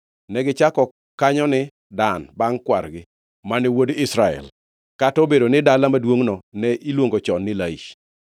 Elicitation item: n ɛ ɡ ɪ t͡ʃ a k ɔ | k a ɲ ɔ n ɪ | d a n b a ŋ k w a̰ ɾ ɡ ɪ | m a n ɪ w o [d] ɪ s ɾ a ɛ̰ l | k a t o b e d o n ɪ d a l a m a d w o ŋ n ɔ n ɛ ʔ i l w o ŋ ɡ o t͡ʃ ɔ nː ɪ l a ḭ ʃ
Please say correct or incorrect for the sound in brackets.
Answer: correct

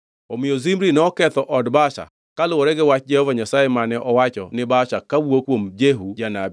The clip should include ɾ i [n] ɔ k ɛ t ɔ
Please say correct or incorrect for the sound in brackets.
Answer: correct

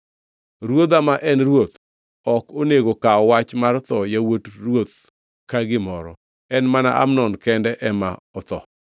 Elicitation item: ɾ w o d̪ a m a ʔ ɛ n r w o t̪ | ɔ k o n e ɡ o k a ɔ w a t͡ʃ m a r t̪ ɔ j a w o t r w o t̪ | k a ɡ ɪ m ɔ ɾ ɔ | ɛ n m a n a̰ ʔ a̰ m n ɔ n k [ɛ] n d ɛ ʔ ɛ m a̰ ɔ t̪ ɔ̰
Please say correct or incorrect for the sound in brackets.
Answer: correct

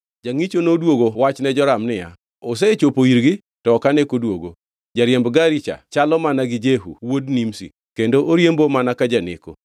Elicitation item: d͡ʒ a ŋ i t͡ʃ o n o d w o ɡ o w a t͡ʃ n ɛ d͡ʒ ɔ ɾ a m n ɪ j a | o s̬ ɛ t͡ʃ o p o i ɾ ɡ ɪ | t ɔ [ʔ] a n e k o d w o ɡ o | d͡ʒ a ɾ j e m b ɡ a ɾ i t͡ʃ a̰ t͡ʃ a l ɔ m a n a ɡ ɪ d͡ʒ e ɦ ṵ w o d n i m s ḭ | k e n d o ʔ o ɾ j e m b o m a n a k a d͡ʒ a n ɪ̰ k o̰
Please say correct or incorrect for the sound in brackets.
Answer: incorrect: k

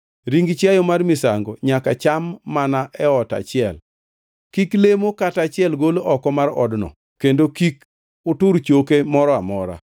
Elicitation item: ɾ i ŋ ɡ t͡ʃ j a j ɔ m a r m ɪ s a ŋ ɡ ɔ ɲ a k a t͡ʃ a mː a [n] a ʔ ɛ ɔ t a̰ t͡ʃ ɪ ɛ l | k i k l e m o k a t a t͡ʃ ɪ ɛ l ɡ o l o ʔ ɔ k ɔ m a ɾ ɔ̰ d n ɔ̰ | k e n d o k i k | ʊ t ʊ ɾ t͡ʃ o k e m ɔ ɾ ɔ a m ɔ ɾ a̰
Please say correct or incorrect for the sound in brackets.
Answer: correct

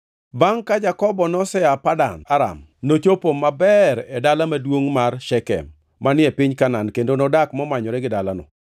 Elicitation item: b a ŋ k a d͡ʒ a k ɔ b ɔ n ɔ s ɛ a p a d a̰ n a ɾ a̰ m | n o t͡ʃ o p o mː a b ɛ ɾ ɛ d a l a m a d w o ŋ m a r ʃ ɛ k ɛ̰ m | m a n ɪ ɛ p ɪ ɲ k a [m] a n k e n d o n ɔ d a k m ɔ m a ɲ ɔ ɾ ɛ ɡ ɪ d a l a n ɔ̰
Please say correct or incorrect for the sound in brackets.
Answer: incorrect: n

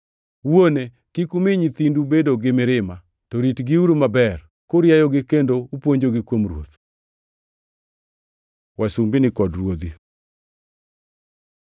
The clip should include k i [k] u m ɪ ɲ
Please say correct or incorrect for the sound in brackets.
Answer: correct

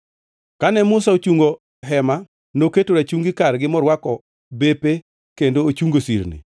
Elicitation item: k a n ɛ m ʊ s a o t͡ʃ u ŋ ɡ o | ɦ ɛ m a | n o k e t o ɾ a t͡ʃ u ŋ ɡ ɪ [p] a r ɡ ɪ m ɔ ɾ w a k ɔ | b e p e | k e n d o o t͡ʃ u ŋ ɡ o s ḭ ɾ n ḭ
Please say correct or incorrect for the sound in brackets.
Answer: incorrect: k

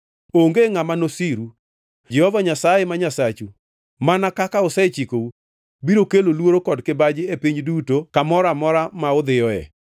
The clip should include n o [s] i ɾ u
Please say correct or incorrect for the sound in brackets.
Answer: correct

